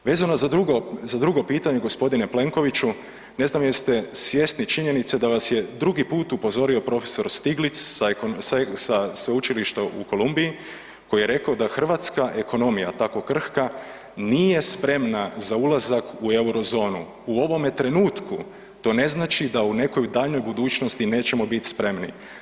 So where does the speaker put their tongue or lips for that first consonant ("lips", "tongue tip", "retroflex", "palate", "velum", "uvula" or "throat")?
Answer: lips